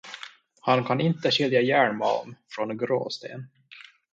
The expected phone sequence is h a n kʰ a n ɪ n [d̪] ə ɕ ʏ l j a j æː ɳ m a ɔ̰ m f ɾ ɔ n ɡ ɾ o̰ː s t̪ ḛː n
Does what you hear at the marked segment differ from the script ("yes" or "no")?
yes